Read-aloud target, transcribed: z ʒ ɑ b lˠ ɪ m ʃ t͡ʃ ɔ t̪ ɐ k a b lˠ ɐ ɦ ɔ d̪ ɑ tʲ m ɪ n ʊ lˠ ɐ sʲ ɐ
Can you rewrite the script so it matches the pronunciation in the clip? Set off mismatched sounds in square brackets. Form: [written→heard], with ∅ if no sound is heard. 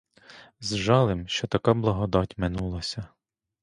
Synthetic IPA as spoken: z ʒ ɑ [b→∅] lˠ ɪ m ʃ t͡ʃ ɔ t̪ ɐ k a b lˠ ɐ ɦ ɔ d̪ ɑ tʲ m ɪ n [ʊ→u] lˠ ɐ sʲ ɐ